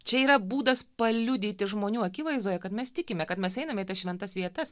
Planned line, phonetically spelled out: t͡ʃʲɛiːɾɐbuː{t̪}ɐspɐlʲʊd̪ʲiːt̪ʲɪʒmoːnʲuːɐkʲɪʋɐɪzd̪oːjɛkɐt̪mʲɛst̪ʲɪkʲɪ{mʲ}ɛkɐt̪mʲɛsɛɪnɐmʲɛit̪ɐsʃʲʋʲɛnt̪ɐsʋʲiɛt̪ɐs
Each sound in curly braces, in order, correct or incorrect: incorrect: d̪, correct

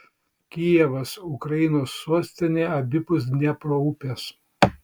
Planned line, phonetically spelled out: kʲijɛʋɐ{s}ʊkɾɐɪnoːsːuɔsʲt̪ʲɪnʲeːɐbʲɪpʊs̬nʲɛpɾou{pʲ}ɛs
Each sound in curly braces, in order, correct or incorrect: correct, correct

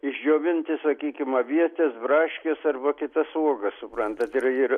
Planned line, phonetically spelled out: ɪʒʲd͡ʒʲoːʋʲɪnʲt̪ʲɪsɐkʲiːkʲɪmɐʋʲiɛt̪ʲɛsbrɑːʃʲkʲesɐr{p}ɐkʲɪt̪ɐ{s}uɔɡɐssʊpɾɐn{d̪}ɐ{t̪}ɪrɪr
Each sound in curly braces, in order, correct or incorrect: incorrect: b, correct, incorrect: t̪, correct

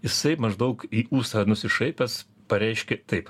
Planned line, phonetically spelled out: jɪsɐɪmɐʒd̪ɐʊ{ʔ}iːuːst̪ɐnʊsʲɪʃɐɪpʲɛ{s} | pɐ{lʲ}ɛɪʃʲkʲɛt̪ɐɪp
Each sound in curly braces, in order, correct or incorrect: incorrect: k, correct, incorrect: ɾʲ

